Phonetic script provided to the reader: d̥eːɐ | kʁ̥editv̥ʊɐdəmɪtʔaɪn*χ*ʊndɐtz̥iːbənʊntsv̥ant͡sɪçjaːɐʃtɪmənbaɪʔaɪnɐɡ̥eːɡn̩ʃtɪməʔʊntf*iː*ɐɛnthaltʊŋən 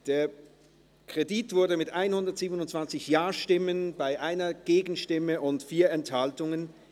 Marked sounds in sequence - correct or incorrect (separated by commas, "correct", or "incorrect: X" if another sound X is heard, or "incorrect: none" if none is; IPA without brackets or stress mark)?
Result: incorrect: h, correct